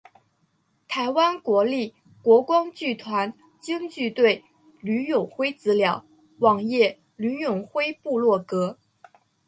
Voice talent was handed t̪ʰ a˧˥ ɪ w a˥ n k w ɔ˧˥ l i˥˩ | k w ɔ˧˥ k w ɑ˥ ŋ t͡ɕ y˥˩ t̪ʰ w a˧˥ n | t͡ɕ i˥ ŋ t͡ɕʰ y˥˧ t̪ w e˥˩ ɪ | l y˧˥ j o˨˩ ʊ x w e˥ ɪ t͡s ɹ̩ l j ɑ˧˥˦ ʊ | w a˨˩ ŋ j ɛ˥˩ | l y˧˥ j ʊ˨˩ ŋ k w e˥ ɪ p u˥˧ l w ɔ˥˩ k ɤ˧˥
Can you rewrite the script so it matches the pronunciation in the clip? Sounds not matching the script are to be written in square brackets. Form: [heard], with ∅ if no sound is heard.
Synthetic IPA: t̪ʰ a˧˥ ɪ w a˥ n k w ɔ˧˥ l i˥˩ | k w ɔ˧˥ k w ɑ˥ ŋ t͡ɕ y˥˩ t̪ʰ w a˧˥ n | t͡ɕ i˥ ŋ [t͡ɕ] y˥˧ t̪ w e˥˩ ɪ | l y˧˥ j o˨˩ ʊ x w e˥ ɪ t͡s ɹ̩ l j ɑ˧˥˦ ʊ | w [ɑ˨˩] ŋ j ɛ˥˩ | l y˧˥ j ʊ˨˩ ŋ [x] w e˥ ɪ p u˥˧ l w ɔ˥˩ k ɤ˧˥